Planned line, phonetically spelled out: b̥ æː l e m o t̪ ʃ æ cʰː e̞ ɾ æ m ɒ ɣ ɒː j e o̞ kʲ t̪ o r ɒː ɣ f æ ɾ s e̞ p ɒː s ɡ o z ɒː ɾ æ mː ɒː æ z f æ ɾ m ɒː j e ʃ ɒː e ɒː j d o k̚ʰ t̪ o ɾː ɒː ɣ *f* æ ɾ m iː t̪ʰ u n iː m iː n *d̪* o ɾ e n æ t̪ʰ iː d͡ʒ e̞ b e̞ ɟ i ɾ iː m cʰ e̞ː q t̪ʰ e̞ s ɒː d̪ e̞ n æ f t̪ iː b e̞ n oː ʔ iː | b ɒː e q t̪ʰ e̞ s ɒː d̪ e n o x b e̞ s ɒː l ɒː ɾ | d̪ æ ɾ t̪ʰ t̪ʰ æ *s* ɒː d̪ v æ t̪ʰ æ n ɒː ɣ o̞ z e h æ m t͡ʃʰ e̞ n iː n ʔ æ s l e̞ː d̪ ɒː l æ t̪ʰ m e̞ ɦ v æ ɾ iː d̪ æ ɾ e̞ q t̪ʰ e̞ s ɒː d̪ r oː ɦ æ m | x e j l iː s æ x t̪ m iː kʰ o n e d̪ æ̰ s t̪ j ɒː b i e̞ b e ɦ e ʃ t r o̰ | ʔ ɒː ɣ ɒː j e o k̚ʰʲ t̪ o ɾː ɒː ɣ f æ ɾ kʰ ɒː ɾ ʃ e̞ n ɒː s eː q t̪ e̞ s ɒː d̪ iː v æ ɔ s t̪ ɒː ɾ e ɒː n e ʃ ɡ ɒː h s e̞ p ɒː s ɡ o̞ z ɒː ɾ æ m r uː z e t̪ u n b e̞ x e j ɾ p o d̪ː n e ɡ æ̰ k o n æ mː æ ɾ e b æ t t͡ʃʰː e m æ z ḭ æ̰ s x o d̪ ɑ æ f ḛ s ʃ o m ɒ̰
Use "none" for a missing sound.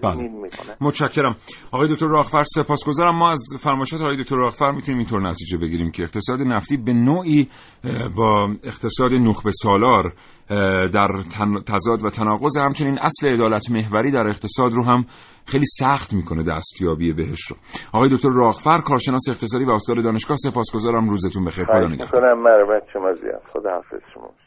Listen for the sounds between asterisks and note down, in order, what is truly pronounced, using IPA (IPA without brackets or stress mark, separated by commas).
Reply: f, t̪, z